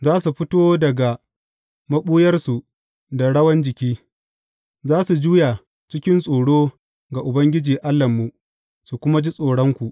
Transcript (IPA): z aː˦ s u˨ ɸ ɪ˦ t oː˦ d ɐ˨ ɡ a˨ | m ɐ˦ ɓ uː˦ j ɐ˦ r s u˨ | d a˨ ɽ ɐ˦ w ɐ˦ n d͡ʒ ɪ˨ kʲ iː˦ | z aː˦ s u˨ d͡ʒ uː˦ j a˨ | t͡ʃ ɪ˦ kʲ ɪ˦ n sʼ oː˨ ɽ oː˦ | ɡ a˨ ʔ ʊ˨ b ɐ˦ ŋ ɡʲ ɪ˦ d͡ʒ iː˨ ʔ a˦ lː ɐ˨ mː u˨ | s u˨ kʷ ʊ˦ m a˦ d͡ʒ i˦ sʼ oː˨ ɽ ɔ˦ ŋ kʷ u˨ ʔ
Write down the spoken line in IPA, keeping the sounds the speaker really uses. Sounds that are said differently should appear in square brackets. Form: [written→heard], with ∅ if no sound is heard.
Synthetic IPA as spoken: z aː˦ s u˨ ɸ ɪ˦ t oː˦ d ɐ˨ ɡ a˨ | m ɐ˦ ɓ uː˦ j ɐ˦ r s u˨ | d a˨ ɽ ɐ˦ w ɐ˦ n d͡ʒ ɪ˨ kʲ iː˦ | z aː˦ s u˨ d͡ʒ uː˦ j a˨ | t͡ʃ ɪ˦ kʲ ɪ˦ n sʼ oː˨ ɽ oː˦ | ɡ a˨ ʔ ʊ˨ b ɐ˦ ŋ ɡʲ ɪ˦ d͡ʒ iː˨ ʔ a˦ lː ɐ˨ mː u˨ | s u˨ kʷ ʊ˦ m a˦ d͡ʒ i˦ sʼ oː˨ ɽ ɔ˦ ŋ kʷ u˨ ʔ